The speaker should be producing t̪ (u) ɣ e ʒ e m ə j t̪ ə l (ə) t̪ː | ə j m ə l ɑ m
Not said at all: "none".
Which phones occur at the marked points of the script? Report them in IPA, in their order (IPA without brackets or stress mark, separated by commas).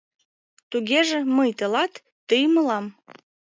u, ɑ